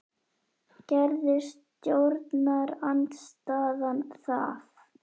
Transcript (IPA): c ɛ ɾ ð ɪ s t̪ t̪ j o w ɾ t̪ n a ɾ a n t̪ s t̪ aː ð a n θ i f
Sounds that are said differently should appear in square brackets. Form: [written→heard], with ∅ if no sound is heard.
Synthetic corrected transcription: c ɛ ɾ ð ɪ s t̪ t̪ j o w ɾ t̪ n a ɾ a n t̪ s t̪ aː ð a n θ [i→a] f

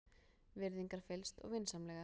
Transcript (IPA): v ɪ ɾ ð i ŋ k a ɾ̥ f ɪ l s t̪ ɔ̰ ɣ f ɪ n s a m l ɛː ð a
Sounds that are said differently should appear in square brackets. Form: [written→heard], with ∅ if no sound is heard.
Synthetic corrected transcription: v ɪ ɾ ð i ŋ k a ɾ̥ f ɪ l s t̪ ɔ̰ ɣ [f→v] ɪ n s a m l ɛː [ð→ɣ] a

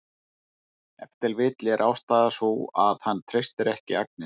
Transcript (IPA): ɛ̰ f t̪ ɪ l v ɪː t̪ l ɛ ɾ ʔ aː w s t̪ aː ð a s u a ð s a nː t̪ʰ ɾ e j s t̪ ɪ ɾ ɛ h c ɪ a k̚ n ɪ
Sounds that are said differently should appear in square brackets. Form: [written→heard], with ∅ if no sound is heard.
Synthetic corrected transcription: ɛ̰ f t̪ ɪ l v ɪː t̪ l ɛ ɾ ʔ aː w s t̪ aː ð a s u a ð [s→h] a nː t̪ʰ ɾ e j s t̪ ɪ ɾ ɛ h c ɪ a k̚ n ɪ

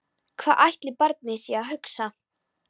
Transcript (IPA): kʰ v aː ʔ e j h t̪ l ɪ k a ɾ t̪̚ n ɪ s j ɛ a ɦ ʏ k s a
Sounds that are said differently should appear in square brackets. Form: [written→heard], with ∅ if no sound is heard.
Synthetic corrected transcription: kʰ v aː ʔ [e→a] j h t̪ l ɪ [k→p] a ɾ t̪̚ n ɪ s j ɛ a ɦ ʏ k s a

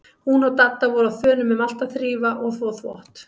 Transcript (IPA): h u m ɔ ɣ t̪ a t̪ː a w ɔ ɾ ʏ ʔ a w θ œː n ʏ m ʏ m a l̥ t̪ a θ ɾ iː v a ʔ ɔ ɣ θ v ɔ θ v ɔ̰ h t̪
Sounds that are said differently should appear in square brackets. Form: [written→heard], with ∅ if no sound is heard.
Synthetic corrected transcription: h u [m→n] ɔ ɣ t̪ a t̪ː a [w→v] ɔ ɾ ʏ [ʔ→∅] a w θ œː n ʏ m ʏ m a l̥ t̪ a θ ɾ iː v a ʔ ɔ ɣ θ v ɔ θ v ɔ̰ h t̪

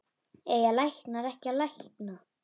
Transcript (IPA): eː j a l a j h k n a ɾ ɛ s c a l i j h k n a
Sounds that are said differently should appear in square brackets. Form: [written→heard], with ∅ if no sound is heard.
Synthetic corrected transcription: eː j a l a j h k n a ɾ ɛ [s→h] c a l [i→a] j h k n a

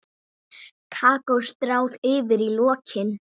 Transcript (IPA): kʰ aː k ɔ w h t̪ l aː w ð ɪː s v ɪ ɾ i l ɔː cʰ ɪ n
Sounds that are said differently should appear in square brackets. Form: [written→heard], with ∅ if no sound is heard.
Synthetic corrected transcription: kʰ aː k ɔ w [h→s] t̪ [l→ɾ] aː w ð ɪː [s→∅] v ɪ ɾ i l ɔː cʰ ɪ n

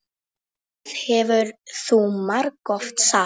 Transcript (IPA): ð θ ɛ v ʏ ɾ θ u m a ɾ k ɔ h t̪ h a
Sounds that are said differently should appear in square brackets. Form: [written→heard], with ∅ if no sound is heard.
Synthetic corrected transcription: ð [θ→h] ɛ v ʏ ɾ θ u m a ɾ k ɔ [h→f] t̪ [h→s] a

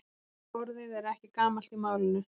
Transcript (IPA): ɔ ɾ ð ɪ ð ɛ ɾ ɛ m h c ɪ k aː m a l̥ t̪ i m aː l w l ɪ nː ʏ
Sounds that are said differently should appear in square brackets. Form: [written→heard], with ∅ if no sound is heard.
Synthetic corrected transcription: ɔ ɾ ð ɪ ð ɛ ɾ ɛ [m→∅] h c ɪ k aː m a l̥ t̪ i m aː [l→∅] w l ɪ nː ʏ

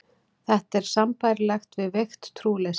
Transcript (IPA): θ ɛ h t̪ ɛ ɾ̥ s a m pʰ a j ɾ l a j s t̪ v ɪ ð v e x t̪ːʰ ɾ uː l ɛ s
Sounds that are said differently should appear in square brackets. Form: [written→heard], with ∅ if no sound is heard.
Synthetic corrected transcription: θ ɛ h t̪ ɛ ɾ̥ s a m [pʰ→p] a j ɾ l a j [s→x] t̪ v ɪ ð v e x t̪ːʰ ɾ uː l ɛ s

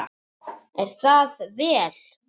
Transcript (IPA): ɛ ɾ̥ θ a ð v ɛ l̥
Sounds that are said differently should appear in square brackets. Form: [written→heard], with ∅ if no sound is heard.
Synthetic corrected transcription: ɛ ɾ̥ θ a ð v [ɛ→ɛː] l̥

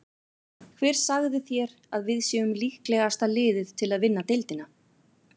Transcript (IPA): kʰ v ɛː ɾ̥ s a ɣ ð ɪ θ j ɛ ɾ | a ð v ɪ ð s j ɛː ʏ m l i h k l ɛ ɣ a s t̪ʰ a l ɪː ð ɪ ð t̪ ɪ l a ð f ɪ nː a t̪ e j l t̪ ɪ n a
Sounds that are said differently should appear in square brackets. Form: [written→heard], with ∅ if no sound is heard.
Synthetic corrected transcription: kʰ v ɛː ɾ̥ s a ɣ ð ɪ θ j ɛ ɾ | a ð v ɪ ð s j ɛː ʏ m l i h k l ɛ ɣ a s [t̪ʰ→t̪] a l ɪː ð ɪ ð [t̪→t̪ʰ] ɪ l a ð [f→v] ɪ nː a t̪ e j l t̪ ɪ n a

